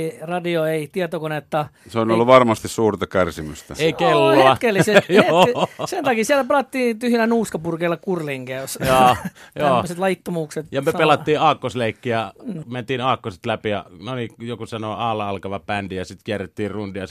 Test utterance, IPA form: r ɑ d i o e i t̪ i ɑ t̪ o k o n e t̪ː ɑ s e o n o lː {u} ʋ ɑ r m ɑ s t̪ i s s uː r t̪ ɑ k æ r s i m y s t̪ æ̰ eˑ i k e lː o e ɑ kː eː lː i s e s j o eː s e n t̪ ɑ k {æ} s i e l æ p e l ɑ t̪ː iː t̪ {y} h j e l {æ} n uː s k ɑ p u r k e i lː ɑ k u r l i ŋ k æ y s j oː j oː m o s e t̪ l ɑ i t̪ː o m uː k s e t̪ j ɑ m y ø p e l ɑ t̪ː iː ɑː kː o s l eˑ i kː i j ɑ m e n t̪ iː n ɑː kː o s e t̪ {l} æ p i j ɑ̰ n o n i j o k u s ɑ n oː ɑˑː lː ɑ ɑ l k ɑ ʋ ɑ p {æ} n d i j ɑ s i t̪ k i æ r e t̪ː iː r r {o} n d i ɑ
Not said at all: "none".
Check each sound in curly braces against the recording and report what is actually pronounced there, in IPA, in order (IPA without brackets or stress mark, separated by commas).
u, i, y, æ, l, æ, u